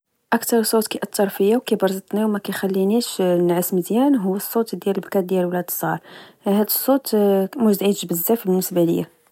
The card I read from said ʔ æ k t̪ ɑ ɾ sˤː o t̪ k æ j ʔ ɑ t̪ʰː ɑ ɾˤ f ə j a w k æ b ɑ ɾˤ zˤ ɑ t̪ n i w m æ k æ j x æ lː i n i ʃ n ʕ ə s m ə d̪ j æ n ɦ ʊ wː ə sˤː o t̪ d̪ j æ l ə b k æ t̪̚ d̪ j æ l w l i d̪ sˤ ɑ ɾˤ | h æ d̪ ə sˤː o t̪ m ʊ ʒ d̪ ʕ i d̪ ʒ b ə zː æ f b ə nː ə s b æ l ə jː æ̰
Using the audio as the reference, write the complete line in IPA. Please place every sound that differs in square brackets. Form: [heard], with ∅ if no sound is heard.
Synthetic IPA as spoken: ʔ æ k t̪ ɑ ɾ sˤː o t̪ k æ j ʔ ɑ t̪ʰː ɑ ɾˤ f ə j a w k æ b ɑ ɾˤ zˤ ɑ t̪ n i w m æ k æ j x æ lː i n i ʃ n ʕ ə s m ə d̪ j æ n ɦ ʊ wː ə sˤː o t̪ d̪ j æ l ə b k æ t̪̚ d̪ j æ l w l [æ] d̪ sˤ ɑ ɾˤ | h æ d̪ ə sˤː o t̪ m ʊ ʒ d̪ ʕ i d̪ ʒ b ə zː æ f b ə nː ə s b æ l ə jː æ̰